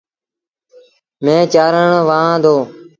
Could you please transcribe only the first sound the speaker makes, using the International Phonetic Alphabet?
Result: m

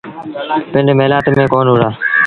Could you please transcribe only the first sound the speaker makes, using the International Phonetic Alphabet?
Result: p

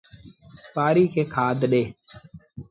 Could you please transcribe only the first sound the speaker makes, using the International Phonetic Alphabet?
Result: p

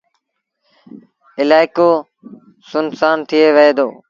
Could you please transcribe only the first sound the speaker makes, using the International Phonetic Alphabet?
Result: ɪ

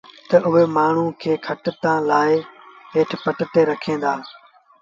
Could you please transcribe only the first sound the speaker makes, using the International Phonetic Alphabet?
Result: t̪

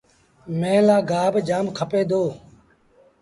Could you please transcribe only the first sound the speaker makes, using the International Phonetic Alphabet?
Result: m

